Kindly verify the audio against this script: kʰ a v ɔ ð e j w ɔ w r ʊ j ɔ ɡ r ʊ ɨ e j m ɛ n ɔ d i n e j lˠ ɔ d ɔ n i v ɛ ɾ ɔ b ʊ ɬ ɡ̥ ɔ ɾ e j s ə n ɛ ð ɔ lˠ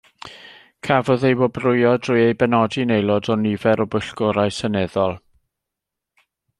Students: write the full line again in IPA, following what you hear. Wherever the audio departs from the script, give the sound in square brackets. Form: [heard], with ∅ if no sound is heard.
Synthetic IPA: kʰ a v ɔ ð e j w ɔ [b] r ʊ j ɔ [d] r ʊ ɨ e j [b] ɛ n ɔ d i n e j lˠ ɔ d ɔ n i v ɛ ɾ ɔ b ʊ ɬ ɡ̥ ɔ ɾ [a] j s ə n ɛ ð ɔ lˠ